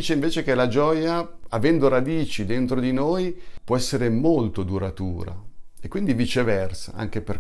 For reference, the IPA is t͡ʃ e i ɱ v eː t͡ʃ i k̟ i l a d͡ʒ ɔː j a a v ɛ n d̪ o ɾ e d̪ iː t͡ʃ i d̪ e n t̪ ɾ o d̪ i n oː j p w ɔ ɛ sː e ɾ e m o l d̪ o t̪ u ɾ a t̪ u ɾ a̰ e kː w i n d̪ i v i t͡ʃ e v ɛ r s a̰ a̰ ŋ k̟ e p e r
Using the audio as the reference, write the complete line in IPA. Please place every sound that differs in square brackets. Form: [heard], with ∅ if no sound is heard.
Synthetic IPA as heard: t͡ʃ e i ɱ v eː t͡ʃ [e] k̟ [e] l a d͡ʒ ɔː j a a v ɛ n d̪ o ɾ [a] d̪ iː t͡ʃ i d̪ e n t̪ ɾ o d̪ i n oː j p w ɔ ɛ sː e ɾ e m o l [t̪] o [d̪] u ɾ a t̪ [uː] ɾ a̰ e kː w i n d̪ i v i t͡ʃ e v ɛ r s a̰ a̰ ŋ k̟ e p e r